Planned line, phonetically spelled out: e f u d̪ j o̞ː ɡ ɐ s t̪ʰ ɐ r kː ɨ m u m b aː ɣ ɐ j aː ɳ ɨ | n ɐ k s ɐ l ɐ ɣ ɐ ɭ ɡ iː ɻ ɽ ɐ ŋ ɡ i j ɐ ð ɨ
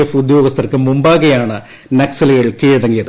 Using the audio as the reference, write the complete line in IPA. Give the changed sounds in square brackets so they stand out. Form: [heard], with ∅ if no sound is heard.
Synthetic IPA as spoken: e f u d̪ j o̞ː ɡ ɐ s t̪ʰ ɐ r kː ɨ m u m b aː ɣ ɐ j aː ɳ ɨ | n ɐ k s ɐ l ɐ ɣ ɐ ɭ [k] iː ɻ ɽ ɐ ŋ ɡ i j ɐ ð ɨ